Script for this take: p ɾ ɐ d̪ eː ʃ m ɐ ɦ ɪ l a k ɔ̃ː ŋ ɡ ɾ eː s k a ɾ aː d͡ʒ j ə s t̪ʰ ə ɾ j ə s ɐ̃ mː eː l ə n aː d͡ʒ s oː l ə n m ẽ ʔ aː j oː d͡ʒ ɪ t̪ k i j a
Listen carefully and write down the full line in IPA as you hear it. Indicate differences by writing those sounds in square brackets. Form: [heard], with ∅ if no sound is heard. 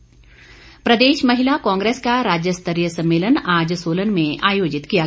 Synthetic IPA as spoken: p ɾ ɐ d̪ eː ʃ m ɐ ɦ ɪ l a k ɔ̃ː ŋ ɡ ɾ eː s k a ɾ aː d͡ʒ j ə s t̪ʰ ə ɾ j ə s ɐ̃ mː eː l ə n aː d͡ʒ s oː l ə n m ẽ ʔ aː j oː d͡ʒ ɪ t̪ k i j a